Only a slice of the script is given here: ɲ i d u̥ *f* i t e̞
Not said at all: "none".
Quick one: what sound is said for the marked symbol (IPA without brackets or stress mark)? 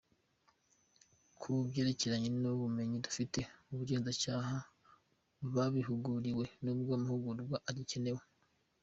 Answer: f